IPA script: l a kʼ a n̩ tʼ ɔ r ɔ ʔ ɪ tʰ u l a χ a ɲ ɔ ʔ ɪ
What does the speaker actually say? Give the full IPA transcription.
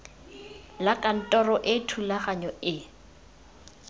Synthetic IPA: l a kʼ a n̩ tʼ ɔ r ɔ ʔ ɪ tʰ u l a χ a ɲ ɔ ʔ ɪ